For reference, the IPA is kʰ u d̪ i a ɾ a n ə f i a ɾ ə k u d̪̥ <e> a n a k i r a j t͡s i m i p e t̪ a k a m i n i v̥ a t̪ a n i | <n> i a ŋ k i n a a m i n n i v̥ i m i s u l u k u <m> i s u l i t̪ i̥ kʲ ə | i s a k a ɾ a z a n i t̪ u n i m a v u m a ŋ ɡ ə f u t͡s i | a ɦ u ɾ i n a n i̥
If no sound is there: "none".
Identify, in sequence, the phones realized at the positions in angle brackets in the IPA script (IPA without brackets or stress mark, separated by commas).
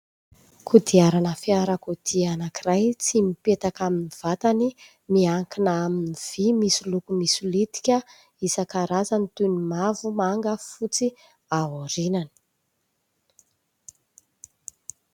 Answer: i, m, m